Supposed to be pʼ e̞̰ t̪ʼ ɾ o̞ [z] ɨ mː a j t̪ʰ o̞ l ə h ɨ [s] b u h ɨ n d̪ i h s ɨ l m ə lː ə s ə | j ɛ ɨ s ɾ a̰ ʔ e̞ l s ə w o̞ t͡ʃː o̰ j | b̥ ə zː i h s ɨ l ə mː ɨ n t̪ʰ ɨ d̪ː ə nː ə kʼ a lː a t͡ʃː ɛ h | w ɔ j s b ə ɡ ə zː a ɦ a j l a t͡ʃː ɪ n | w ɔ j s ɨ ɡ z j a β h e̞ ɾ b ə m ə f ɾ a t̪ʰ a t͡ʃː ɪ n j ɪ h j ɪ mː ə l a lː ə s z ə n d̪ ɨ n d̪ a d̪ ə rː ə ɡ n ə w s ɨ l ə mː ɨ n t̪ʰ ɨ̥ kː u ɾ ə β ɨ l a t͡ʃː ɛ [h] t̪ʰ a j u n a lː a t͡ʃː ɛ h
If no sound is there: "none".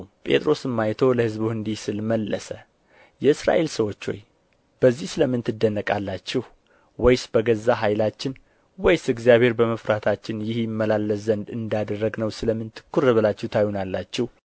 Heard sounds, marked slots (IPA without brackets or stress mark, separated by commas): s, z, h